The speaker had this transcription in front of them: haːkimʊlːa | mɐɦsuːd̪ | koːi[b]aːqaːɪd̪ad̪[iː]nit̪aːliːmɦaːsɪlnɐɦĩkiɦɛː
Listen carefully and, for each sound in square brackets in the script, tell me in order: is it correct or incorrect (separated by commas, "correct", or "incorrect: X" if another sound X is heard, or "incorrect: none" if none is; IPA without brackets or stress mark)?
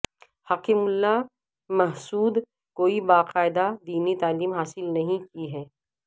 correct, correct